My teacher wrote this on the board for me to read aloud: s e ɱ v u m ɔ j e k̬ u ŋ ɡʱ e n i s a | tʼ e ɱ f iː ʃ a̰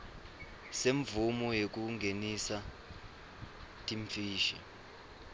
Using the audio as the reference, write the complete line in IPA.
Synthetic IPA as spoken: s e ɱ v u m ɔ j e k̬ u ŋ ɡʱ e n i s a | tʼ i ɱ f iː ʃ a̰